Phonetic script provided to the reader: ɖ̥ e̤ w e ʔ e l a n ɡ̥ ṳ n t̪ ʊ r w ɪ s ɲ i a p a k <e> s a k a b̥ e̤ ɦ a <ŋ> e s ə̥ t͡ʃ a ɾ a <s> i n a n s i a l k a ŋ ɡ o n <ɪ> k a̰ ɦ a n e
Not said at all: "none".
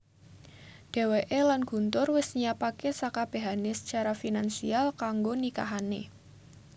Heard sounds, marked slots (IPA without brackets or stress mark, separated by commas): e, n, f, i